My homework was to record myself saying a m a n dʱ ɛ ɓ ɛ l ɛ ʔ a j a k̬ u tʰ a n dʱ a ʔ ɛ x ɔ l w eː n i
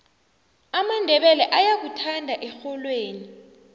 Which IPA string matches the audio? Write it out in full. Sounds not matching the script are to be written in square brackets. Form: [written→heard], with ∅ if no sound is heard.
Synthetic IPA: a m a n dʱ ɛ ɓ ɛ l ɛ ʔ a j a k̬ u tʰ a n dʱ a ʔ ɛ x ɔ l w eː n i